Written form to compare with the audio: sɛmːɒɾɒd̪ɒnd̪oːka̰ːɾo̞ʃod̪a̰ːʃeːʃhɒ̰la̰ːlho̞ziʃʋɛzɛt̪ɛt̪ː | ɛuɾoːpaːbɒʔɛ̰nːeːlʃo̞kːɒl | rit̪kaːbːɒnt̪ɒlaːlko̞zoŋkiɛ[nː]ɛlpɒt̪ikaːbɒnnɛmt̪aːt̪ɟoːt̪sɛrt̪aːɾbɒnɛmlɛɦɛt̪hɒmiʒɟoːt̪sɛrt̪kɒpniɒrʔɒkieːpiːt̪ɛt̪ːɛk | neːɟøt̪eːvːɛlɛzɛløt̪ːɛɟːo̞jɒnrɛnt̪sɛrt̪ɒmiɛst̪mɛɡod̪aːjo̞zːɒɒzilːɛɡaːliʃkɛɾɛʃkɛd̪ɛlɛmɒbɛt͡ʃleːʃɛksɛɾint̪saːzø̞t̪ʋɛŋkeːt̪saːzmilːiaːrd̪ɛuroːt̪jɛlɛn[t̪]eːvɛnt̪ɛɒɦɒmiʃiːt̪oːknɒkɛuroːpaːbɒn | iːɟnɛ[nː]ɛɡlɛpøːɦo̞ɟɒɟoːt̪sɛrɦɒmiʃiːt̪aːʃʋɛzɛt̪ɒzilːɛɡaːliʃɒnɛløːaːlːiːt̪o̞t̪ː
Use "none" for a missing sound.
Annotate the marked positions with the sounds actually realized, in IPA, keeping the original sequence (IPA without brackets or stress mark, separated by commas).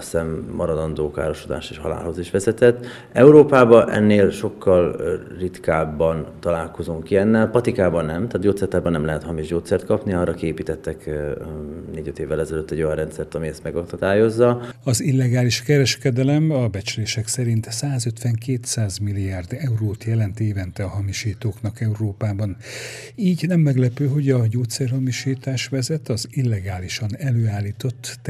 nː, t̪, mː